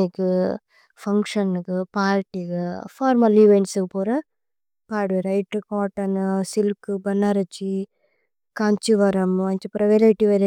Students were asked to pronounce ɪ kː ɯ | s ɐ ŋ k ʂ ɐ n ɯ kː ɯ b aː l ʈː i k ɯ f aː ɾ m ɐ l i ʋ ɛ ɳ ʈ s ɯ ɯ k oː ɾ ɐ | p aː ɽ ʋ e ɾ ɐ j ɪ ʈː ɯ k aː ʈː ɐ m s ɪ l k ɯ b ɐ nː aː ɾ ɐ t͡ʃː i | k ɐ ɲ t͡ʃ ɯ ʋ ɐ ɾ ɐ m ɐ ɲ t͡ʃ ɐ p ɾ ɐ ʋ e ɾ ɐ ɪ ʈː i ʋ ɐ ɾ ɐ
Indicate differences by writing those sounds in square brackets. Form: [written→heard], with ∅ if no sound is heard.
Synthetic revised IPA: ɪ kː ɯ | [s→f] ɐ ŋ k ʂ ɐ n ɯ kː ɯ [b→p] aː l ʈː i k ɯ f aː ɾ m ɐ l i ʋ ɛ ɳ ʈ s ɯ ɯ [k→p] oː ɾ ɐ | p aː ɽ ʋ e ɾ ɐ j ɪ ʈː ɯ k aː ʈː ɐ [m→n] s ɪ l k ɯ b ɐ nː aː ɾ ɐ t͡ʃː i | k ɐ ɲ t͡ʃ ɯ ʋ ɐ ɾ ɐ m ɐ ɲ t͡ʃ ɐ p ɾ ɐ ʋ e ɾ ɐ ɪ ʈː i ʋ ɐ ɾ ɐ